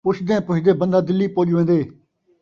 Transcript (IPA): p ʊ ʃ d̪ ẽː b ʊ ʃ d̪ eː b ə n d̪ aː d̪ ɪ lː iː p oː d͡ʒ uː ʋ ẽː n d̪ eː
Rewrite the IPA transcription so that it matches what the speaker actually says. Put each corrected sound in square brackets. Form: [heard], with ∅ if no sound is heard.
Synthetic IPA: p ʊ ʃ d̪ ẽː [p] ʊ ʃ d̪ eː b ə n d̪ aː d̪ ɪ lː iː p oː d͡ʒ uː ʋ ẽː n d̪ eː